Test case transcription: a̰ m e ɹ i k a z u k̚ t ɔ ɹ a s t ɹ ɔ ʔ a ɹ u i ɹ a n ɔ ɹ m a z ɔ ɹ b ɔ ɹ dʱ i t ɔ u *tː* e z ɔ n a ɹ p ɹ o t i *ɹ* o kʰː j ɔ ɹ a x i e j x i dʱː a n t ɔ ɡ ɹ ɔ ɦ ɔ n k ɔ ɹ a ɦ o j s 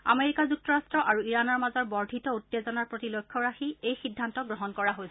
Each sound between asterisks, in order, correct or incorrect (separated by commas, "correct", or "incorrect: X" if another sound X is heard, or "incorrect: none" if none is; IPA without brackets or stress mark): correct, incorrect: l